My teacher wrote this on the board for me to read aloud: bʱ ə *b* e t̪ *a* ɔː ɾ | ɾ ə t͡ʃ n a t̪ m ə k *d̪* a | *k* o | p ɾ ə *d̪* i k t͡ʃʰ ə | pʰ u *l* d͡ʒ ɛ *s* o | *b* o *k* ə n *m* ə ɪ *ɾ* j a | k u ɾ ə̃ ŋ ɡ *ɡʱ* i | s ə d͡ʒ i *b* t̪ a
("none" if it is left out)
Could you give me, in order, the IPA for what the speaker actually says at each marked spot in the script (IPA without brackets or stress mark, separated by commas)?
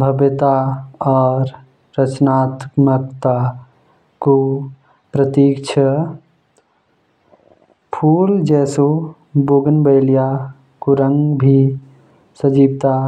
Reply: b, a, t̪, k, t̪, l, s, b, ɡ, b, l, bʱ, b